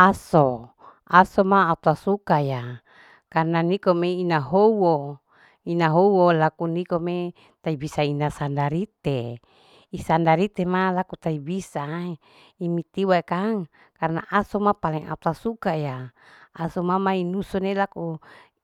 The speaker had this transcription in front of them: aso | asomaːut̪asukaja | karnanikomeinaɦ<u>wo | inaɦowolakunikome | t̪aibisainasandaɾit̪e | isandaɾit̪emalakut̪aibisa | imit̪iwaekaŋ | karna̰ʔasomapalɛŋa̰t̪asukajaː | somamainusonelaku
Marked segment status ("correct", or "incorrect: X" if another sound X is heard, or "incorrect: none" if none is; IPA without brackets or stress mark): incorrect: o